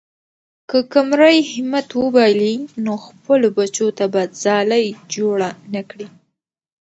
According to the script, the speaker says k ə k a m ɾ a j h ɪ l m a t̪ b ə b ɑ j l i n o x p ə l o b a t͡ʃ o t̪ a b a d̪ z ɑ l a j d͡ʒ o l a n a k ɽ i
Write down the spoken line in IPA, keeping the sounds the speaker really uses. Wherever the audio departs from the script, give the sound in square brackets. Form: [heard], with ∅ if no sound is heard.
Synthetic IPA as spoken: k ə k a m ɾ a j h ɪ [∅] m a t̪ [w] ə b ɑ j l i n o x p ə l o b a t͡ʃ o t̪ a b a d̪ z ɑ l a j d͡ʒ o [ɽ] a n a k ɽ i